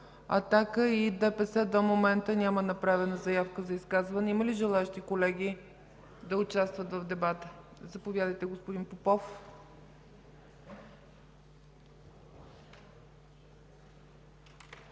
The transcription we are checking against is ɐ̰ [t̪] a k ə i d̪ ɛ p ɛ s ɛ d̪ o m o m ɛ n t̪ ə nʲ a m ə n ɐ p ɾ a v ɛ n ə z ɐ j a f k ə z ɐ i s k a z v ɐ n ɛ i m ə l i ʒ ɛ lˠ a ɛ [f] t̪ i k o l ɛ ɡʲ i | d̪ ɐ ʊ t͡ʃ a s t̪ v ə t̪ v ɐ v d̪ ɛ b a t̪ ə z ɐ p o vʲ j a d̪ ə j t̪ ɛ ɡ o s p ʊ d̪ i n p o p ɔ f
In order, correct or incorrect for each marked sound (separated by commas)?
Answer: correct, incorrect